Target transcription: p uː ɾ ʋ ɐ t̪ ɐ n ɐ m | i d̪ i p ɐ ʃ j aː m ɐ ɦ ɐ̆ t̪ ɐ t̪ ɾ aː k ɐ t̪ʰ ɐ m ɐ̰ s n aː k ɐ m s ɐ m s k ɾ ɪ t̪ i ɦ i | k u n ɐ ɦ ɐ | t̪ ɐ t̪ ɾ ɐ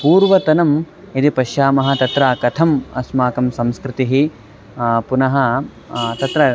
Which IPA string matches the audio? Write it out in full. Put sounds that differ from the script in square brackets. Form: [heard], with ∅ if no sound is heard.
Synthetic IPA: p uː ɾ ʋ ɐ t̪ ɐ n ɐ m | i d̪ i p ɐ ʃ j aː m ɐ ɦ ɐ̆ t̪ ɐ t̪ ɾ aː k ɐ t̪ʰ ɐ m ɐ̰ s [m] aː k ɐ m s ɐ m s k ɾ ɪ t̪ i ɦ i | [p] u n ɐ ɦ ɐ | t̪ ɐ t̪ ɾ ɐ